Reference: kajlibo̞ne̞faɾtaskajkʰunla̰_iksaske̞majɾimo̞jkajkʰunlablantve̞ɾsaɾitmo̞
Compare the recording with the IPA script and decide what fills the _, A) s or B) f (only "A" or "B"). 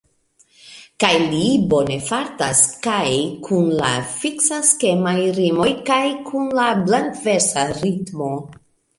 B